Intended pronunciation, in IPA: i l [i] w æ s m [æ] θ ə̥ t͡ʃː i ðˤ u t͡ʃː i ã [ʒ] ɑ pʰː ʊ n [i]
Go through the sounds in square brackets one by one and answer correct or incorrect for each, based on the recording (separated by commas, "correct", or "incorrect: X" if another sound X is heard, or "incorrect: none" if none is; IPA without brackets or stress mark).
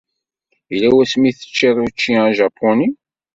incorrect: æ, incorrect: i, correct, correct